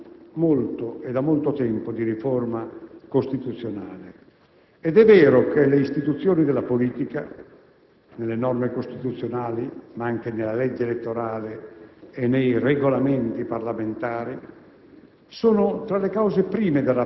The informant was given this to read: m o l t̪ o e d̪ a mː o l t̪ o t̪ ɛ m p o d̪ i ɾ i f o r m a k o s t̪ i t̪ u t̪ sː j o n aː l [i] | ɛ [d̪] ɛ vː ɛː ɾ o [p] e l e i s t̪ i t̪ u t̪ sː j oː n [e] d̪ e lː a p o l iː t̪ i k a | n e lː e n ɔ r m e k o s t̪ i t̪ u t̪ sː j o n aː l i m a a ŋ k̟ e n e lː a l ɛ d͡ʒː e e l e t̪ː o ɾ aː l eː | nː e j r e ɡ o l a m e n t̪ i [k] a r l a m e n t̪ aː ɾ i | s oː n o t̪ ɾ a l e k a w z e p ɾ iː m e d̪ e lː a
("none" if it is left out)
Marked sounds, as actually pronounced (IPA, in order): e, d̪, k, i, p

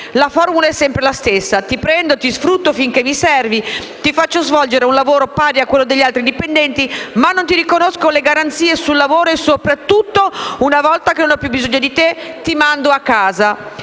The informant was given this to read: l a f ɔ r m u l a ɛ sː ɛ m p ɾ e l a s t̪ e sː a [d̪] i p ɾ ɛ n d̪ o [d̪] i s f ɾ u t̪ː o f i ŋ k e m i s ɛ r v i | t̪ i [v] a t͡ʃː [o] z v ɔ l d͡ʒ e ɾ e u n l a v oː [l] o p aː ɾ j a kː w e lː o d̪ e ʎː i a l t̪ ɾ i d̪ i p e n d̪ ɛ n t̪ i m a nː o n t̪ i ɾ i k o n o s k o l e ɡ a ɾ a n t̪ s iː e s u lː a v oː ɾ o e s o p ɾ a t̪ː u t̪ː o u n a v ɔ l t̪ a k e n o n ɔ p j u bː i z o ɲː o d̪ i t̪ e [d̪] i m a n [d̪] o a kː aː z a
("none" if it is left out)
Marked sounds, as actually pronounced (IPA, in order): t̪, t̪, f, o, ɾ, t̪, d̪

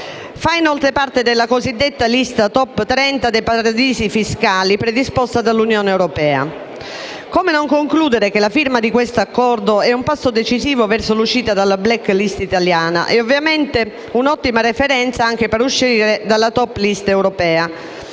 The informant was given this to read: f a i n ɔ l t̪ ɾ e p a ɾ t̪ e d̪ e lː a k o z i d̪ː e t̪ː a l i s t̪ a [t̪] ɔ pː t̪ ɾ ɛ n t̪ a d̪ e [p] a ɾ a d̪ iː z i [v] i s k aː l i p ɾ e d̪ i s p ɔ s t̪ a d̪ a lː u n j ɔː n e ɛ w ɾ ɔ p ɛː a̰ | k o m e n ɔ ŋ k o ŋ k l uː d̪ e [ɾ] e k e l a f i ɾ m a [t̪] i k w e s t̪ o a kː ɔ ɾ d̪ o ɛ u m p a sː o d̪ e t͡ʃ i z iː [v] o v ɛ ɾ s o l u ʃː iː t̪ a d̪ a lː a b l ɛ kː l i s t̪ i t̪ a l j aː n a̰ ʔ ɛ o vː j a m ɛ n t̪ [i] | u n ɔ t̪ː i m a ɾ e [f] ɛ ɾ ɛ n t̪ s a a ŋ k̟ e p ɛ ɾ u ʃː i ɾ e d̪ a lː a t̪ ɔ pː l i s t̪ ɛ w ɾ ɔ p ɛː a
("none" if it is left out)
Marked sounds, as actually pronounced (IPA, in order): t̪, p, f, ɾ, d̪, v, e, f

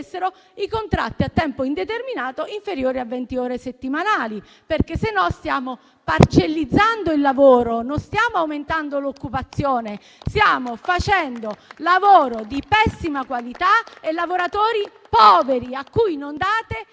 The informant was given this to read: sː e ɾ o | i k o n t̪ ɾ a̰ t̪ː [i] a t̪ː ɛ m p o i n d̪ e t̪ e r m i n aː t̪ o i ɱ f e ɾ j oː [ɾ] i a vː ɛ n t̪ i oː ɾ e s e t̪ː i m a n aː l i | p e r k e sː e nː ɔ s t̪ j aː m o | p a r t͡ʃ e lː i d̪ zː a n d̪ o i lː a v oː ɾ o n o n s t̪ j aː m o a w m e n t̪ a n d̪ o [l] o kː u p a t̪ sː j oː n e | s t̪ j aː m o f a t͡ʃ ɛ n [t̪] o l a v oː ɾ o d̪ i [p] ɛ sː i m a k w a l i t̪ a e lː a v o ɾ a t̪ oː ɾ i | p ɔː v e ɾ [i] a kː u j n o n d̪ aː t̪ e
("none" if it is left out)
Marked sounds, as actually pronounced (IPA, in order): i, ɾ, l, d̪, p, i

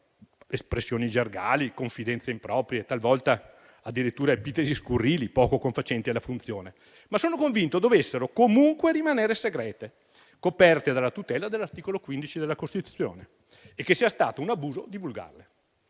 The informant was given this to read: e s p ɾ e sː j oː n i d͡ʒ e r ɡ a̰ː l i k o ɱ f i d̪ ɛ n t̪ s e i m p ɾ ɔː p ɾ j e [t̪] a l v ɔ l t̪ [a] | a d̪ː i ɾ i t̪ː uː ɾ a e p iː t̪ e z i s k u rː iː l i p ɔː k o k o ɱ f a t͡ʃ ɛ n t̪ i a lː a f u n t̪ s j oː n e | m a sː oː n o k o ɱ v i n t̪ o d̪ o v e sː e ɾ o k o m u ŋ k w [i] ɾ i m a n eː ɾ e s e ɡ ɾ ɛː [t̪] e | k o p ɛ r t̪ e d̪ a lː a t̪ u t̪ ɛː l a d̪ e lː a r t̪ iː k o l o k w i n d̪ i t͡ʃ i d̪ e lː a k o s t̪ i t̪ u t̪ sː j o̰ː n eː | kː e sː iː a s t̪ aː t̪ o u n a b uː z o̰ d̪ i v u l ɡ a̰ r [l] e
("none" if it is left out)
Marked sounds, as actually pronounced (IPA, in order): t̪, a, e, t̪, l

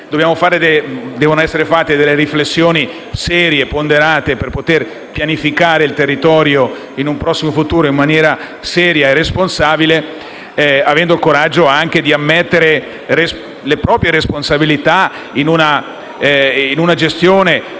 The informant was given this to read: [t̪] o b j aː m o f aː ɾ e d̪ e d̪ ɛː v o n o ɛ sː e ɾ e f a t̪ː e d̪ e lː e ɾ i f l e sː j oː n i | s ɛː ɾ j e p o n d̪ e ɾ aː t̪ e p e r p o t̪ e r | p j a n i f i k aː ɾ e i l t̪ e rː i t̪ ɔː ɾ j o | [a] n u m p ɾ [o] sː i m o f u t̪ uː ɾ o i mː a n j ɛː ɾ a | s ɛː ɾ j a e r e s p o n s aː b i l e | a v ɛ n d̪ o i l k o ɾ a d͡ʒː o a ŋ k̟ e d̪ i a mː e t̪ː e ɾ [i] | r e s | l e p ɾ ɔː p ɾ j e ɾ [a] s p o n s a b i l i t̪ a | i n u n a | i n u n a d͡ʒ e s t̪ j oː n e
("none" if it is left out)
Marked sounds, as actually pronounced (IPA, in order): d̪, i, ɔ, e, e

